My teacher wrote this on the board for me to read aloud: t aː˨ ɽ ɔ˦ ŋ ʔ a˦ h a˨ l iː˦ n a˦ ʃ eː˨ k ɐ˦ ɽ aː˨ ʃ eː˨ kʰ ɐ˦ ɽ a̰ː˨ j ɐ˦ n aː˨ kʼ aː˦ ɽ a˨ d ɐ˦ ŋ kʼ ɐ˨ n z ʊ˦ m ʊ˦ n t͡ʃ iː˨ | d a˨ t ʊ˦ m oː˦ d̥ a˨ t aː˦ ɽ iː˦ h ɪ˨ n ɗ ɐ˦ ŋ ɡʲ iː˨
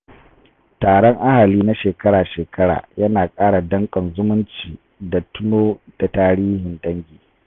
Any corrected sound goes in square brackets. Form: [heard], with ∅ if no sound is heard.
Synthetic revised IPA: t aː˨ ɽ ɔ˦ ŋ ʔ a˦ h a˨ l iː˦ n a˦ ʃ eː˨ k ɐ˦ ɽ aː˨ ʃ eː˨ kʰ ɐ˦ ɽ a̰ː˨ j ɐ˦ n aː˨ kʼ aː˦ ɽ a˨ d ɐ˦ ŋ kʼ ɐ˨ n z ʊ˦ m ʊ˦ n t͡ʃ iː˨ | d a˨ t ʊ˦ [n] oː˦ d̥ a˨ t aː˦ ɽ iː˦ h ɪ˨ n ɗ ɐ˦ ŋ ɡʲ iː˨